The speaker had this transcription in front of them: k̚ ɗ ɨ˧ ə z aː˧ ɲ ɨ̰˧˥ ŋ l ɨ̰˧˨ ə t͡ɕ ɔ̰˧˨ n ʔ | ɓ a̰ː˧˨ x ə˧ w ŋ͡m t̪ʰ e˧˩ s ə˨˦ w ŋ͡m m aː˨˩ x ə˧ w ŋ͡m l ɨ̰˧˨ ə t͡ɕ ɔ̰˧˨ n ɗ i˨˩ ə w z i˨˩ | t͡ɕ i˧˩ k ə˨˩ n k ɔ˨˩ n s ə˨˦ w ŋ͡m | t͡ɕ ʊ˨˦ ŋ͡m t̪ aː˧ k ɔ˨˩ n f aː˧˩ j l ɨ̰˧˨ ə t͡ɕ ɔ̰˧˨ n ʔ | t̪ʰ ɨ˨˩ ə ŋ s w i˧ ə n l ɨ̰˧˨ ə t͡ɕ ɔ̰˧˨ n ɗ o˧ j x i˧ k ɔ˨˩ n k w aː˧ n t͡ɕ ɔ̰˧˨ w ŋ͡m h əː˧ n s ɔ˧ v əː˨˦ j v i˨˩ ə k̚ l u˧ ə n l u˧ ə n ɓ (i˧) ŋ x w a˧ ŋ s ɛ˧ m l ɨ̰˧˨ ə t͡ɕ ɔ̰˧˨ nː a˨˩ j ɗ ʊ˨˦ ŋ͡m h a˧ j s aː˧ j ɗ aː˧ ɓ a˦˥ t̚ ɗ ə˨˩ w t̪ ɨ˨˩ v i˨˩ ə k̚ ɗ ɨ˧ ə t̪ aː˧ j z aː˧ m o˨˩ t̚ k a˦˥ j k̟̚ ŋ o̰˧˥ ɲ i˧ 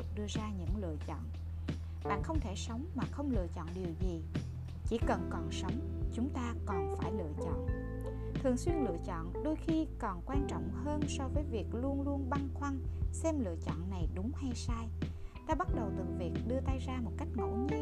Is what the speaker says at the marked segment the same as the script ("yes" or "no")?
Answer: no